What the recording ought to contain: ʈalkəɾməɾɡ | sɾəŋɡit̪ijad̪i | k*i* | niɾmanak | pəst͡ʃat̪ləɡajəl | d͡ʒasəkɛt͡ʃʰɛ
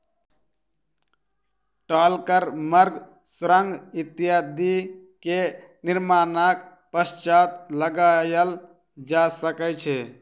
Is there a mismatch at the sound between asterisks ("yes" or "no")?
yes